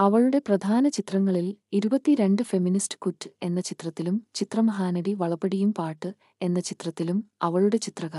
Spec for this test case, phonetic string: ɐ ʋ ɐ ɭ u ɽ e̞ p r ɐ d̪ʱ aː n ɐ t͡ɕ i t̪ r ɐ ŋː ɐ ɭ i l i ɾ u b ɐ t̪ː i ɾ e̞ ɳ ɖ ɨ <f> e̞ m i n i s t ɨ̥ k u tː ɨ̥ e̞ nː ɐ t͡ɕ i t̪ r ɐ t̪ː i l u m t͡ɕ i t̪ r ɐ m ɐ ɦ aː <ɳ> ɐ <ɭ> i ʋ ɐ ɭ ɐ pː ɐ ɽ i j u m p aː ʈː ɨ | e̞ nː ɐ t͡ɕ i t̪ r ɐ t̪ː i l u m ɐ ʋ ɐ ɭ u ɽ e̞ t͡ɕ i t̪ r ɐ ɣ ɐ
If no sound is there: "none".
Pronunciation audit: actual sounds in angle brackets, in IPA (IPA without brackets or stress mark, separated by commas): f, n, ɽ